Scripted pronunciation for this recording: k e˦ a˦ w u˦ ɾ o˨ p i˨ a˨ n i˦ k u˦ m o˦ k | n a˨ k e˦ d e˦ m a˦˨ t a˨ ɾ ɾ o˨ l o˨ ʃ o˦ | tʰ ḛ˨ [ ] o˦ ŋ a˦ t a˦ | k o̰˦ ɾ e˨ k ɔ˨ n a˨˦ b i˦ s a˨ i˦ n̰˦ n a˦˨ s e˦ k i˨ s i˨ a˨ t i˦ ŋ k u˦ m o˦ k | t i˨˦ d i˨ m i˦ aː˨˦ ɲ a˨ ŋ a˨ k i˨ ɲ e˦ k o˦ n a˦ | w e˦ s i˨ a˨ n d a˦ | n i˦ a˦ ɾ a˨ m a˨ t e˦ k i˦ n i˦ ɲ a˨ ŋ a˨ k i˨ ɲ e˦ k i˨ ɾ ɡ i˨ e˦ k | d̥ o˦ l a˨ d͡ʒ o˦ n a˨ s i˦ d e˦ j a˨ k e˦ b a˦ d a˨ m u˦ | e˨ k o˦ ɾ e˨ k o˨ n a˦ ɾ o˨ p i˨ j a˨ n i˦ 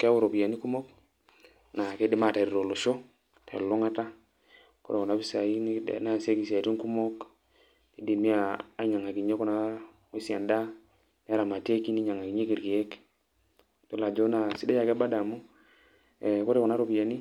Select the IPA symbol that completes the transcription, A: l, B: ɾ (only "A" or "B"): A